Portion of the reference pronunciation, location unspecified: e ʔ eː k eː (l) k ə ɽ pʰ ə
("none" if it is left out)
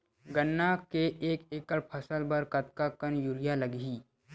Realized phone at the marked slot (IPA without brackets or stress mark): none